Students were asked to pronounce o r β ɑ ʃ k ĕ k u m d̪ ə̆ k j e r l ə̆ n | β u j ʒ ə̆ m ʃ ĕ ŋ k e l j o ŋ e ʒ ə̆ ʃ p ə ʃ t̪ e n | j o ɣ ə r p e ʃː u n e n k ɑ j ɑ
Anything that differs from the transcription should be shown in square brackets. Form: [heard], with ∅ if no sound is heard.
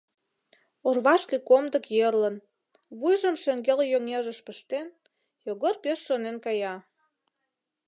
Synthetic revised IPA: o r β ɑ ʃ k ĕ k [o] m d̪ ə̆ k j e r l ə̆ n | β u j ʒ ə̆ m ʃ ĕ ŋ [ɡ] e l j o ŋ e ʒ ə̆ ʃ p ə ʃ t̪ e n | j o ɣ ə r p e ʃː [o] n e n k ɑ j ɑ